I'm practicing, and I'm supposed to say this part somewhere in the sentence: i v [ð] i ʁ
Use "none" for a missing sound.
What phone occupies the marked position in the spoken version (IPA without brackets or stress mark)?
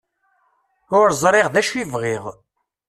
ʁ